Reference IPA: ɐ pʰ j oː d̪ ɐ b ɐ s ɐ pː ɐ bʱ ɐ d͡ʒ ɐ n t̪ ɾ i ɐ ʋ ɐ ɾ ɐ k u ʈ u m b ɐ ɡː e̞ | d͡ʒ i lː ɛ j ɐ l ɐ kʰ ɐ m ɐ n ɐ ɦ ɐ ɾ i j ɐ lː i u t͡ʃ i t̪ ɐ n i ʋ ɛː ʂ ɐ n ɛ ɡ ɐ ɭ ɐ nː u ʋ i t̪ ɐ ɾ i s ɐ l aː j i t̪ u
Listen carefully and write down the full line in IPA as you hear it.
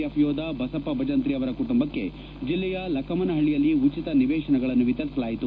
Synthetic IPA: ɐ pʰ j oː d̪ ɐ b ɐ s ɐ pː ɐ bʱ ɐ d͡ʒ ɐ n t̪ ɾ i ɐ ʋ ɐ ɾ ɐ k u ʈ u m b ɐ kː e̞ | d͡ʒ i lː ɛ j ɐ l ɐ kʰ ɐ m ɐ n ɐ ɦ ɐ ɭ i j ɐ lː i u t͡ʃ i t̪ ɐ n i ʋ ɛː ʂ ɐ n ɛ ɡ ɐ ɭ ɐ nː u ʋ i t̪ ɐ ɾ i s ɐ l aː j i t̪ u

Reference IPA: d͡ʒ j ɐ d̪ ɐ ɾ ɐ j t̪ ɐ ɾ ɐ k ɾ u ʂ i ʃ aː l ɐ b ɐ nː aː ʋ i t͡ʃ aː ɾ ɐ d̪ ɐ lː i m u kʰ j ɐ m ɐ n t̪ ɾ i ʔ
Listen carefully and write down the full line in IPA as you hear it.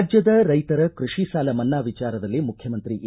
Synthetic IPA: d͡ʒ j ɐ d̪ ɐ ɾ ɐ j t̪ ɐ ɾ ɐ k ɾ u ʂ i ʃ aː l ɐ m ɐ nː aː ʋ i t͡ʃ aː ɾ ɐ d̪ ɐ lː i m u kʰ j ɐ m ɐ n t̪ ɾ i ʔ

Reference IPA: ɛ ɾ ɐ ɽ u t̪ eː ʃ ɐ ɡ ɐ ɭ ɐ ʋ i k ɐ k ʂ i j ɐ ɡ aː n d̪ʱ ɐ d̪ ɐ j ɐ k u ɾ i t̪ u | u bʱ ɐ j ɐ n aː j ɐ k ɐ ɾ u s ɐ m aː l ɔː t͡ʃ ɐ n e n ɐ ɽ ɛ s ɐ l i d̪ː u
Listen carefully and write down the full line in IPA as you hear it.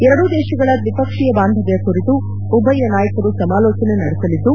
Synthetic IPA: ɛ ɾ ɐ ɽ u d̪ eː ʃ ɐ ɡ ɐ ɭ ɐ ʋ i p ɐ k ʂ i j ɐ b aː n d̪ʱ ɐ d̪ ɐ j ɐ k u ɾ i t̪ u | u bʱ ɐ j ɐ n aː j ɐ k ɐ ɾ u s ɐ m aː l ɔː t͡ʃ ɐ n e n ɐ ɽ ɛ s ɐ l i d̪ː u

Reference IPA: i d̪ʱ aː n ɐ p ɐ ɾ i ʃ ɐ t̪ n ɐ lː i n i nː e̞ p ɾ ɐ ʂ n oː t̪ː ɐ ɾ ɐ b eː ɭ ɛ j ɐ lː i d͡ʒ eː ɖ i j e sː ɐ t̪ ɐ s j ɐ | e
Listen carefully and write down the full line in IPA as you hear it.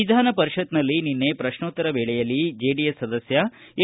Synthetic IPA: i d̪ʱ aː n ɐ p ɐ ɾ i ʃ ɐ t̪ n ɐ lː i n i nː e̞ p ɾ ɐ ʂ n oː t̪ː ɐ ɾ ɐ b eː ɭ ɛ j ɐ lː i d͡ʒ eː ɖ i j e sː ɐ d̪ ɐ s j ɐ | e

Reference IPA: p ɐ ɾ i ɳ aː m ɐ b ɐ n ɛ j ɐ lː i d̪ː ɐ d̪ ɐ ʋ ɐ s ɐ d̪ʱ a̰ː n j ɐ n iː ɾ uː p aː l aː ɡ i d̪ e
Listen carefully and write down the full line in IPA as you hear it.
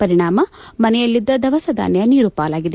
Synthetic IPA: p ɐ ɾ i ɳ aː m ɐ m ɐ n ɛ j ɐ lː i d̪ː ɐ d̪ ɐ ʋ ɐ s ɐ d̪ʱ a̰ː n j ɐ n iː ɾ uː p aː l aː ɡ i d̪ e

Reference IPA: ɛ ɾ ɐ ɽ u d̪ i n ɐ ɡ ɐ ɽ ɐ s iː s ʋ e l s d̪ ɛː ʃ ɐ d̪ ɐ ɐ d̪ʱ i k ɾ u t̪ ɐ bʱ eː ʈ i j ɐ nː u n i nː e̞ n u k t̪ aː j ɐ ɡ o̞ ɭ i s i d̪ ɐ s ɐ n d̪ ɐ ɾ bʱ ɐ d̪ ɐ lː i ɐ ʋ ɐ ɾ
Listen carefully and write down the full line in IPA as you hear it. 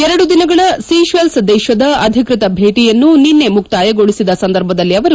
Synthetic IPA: ɛ ɾ ɐ ɽ u d̪ i n ɐ ɡ ɐ ɭ ɐ s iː ʃ ʋ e l s d̪ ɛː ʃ ɐ d̪ ɐ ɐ d̪ʱ i k ɾ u t̪ ɐ bʱ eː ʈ i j ɐ nː u n i nː e̞ m u k t̪ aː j ɐ ɡ o̞ ɭ i s i d̪ ɐ s ɐ n d̪ ɐ ɾ bʱ ɐ d̪ ɐ lː i ɐ ʋ ɐ ɾ

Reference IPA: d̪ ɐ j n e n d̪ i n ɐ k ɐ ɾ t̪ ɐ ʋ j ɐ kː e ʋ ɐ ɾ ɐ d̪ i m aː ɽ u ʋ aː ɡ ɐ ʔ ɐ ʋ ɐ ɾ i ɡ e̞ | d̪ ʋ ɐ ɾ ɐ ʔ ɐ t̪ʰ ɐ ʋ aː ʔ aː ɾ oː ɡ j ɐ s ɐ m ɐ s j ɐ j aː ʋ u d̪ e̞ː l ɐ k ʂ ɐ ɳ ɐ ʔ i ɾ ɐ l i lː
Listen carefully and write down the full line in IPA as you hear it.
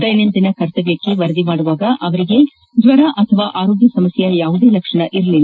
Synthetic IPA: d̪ ɐ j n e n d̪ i n ɐ k ɐ ɾ t̪ ɐ ʋ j ɐ kː e ʋ ɐ ɾ ɐ d̪ i m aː ɽ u ʋ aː ɡ ɐ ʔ ɐ ʋ ɐ ɾ i ɡ e̞ | d̪ ʋ ɐ ɾ ɐ ʔ ɐ t̪ʰ ɐ ʋ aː ʔ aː ɾ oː ɡ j ɐ s ɐ m ɐ s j ɐ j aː ʋ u d̪ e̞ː l ɐ k ʂ ɐ ɳ ɐ ʔ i ɾ ɐ l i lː

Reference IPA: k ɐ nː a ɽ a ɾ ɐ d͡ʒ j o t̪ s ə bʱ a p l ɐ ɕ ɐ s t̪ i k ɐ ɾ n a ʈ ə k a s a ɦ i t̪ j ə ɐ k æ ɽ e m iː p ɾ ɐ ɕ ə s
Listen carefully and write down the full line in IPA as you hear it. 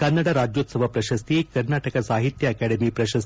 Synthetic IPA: k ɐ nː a ɽ a ɾ a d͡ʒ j o t̪ s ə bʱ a p ɾ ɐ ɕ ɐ s t̪ i k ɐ ɾ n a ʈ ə k a s a ɦ i t̪ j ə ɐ k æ ɽ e m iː p ɾ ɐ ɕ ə s

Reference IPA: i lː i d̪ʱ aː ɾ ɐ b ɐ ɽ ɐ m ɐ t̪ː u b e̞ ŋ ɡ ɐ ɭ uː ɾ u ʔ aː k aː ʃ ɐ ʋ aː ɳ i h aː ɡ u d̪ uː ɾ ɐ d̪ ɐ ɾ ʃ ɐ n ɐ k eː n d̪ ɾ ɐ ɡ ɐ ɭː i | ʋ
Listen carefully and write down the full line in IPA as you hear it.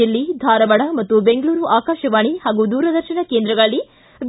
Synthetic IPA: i lː i d̪ʱ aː ɾ ɐ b ɐ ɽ ɐ m ɐ t̪ː u b e̞ ŋ ɡ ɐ ɭ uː ɾ u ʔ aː k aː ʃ ɐ ʋ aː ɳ i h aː ɡ u d̪ uː ɾ ɐ d̪ ɐ ɾ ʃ ɐ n ɐ k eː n d̪ ɾ ɐ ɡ ɐ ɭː i | ʋ

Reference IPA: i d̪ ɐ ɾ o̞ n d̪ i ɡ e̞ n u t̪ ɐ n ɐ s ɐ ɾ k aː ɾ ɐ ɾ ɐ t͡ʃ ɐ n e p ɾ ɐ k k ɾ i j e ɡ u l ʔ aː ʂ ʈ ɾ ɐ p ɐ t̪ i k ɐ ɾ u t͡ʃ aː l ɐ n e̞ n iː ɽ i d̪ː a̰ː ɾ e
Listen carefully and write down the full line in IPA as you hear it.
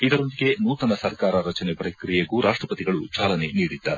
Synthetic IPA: i d̪ ɐ ɾ o̞ n d̪ i ɡ e̞ n uː t̪ ɐ n ɐ s ɐ ɾ k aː ɾ ɐ ɾ ɐ t͡ʃ ɐ n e p ɾ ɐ k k ɾ i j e ɡ u ɾ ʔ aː ʂ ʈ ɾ ɐ p ɐ t̪ i ɡ ɐ ɭ u t͡ʃ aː l ɐ n e̞ n iː ɽ i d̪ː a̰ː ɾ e

